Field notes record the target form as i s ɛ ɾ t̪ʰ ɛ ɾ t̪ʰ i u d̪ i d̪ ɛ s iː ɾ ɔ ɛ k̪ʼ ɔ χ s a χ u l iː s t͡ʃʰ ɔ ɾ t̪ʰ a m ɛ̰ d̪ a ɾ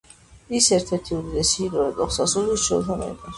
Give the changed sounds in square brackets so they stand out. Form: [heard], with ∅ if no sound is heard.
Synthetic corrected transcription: i s ɛ ɾ t̪ʰ ɛ ɾ t̪ʰ i u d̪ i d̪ ɛ s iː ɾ ɔ ɛ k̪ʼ ɔ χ s a [s] u l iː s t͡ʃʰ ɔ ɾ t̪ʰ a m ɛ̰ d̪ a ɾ

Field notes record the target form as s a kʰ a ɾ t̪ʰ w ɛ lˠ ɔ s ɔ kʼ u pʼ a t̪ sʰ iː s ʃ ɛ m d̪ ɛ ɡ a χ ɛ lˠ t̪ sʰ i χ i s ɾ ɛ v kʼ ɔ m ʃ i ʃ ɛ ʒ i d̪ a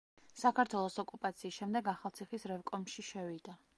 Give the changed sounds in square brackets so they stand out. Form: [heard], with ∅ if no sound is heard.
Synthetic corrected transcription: s a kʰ a ɾ t̪ʰ w ɛ lˠ ɔ s ɔ kʼ u pʼ a t̪ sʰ iː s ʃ ɛ m d̪ ɛ ɡ a χ [a] lˠ t̪ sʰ i χ i s ɾ ɛ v kʼ ɔ m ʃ i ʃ ɛ [v] i d̪ a

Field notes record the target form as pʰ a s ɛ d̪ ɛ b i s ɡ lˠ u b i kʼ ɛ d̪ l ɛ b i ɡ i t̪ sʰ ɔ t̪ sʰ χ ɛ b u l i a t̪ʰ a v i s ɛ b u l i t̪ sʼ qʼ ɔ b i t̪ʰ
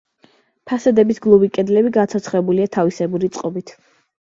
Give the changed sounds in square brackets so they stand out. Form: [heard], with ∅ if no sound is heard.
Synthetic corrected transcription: pʰ a s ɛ d̪ ɛ b i s ɡ lˠ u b i kʼ ɛ d̪ l ɛ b i ɡ [a] t̪ sʰ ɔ t̪ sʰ χ ɛ b u l i a t̪ʰ a v i s ɛ b u [ɾ] i t̪ sʼ qʼ ɔ b i t̪ʰ

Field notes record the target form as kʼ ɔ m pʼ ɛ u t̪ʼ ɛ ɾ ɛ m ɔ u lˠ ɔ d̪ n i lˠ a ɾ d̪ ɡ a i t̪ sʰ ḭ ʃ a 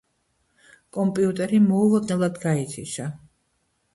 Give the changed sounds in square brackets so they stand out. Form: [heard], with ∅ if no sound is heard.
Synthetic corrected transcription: kʼ ɔ m pʼ [i] u t̪ʼ ɛ ɾ [i] m ɔ u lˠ ɔ d̪ n [ɛ] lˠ a [∅] d̪ ɡ a i t̪ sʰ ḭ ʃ a

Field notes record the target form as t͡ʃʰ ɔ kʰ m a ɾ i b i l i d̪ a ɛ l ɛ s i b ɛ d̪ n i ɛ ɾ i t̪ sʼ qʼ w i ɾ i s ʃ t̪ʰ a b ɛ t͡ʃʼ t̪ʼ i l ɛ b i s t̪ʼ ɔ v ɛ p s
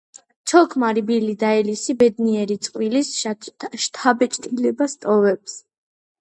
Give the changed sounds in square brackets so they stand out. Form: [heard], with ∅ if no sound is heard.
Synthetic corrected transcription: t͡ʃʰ ɔ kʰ m a ɾ i b i l i d̪ a ɛ l [i] s i b ɛ d̪ n i ɛ ɾ i t̪ sʼ qʼ w i [l] i s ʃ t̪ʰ a b ɛ t͡ʃʼ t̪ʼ i l ɛ b [a] s t̪ʼ ɔ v ɛ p s

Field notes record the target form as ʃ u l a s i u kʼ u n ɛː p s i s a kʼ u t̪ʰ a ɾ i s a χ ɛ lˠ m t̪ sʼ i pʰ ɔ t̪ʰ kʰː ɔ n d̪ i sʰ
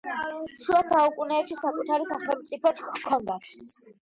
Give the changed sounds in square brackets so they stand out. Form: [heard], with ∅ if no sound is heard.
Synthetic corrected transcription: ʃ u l a s [a] u kʼ u n ɛː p [ʃ] i s a kʼ u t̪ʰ a ɾ i s a χ ɛ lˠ m t̪ sʼ i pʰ ɔ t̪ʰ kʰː ɔ n d̪ [a] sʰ

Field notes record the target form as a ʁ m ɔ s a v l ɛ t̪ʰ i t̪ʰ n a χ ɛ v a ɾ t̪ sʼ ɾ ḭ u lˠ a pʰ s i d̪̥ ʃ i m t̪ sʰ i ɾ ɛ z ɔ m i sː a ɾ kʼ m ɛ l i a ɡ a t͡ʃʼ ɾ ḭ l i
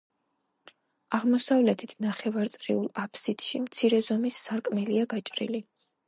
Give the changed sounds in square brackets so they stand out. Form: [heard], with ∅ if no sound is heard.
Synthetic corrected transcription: a ʁ m ɔ s a v l ɛ t̪ʰ i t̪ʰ n a χ ɛ v a ɾ t̪ sʼ ɾ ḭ u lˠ a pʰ s i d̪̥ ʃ i m t̪ sʰ i ɾ ɛ z ɔ m i sː a ɾ kʼ m ɛ l i a ɡ a t͡ʃʼ ɾ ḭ l i

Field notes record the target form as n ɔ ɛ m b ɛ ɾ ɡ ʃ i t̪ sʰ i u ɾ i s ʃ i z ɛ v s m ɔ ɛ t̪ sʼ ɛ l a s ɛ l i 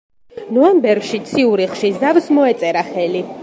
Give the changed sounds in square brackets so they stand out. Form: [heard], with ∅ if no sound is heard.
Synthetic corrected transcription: n ɔ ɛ m b ɛ ɾ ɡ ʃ i t̪ sʰ i u ɾ i [χ] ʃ i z [a] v s m ɔ ɛ t̪ sʼ ɛ [ɾ] a [χ] ɛ l i

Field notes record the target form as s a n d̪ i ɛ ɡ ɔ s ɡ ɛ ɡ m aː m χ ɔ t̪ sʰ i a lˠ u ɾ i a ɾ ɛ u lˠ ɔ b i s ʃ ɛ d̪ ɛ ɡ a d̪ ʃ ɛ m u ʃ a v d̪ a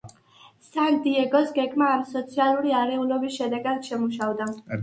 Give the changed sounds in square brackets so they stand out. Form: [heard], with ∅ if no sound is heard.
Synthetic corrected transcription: s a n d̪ i ɛ ɡ ɔ s ɡ ɛ ɡ m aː m [s] ɔ t̪ sʰ i a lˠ u ɾ i a ɾ ɛ u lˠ ɔ b i s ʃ ɛ d̪ ɛ ɡ a d̪ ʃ ɛ m u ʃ a v d̪ a

